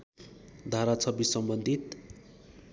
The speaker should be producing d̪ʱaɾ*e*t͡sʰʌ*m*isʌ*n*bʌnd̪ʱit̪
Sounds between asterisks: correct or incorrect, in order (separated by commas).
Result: incorrect, incorrect, incorrect